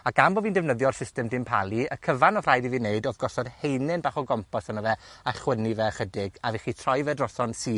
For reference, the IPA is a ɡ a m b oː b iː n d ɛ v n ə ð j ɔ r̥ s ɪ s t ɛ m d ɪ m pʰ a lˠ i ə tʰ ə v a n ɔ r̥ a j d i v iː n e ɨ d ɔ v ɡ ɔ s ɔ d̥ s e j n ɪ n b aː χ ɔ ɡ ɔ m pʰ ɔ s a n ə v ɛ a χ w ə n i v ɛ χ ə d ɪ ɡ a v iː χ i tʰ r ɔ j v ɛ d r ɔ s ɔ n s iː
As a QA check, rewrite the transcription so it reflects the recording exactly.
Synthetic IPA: a ɡ a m b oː v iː n d ɛ v n ə ð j ɔ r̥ s ɪ s t ɛ m d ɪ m pʰ a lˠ i ə kʰ ə v a n ɔ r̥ a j d i v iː n e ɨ d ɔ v ɡ ɔ s ɔ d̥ h e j n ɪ n b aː χ ɔ ɡ ɔ m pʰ ɔ s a n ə v ɛ a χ w ə n i v ɛ χ ə d ɪ ɡ a v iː χ i tʰ r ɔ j v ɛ d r ɔ s ɔ n s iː